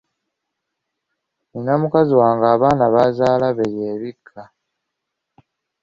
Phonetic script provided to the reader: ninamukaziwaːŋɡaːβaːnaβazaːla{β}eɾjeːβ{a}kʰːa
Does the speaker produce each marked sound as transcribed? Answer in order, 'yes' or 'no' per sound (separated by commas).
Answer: yes, no